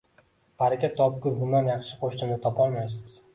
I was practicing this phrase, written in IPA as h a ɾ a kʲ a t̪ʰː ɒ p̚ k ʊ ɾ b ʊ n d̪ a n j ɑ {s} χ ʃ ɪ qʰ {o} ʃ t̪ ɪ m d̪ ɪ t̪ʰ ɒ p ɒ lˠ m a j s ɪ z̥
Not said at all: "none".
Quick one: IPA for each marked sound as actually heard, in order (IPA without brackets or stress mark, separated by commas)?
none, o